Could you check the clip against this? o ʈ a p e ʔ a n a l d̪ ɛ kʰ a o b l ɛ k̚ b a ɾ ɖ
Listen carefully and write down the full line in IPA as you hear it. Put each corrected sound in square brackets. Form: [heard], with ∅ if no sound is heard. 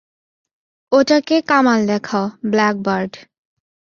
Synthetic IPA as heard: o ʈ a [k] e [k] a [m] a l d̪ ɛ kʰ a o b l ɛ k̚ b a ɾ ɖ

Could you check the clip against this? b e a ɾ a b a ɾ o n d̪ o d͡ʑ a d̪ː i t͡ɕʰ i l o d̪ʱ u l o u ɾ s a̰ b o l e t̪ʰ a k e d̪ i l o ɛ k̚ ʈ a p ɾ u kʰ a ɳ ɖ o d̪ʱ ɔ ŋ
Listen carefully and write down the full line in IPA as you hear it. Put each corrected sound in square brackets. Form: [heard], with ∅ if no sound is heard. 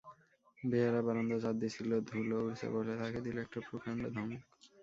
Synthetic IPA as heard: b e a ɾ a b a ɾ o n d̪ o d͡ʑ a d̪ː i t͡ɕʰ i l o d̪ʱ u l o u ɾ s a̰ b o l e t̪ʰ a k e d̪ i l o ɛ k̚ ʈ a p ɾ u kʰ a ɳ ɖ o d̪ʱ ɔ ŋ

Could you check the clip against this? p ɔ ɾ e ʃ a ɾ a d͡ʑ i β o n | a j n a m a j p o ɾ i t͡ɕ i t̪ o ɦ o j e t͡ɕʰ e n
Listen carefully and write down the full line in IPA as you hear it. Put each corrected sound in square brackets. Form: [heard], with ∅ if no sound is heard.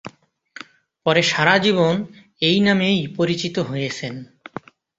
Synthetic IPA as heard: p ɔ ɾ e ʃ a ɾ a d͡ʑ i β o n | [e] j n a m [e] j p o ɾ i t͡ɕ i t̪ o ɦ o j e t͡ɕʰ e n

